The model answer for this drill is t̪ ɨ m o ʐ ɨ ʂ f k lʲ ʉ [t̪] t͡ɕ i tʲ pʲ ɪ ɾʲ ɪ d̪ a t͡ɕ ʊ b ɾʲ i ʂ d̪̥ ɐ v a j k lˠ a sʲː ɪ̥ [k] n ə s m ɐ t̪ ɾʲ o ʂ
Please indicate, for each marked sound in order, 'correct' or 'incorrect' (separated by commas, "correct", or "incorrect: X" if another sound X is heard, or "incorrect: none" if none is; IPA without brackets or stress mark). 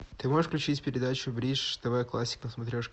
incorrect: none, correct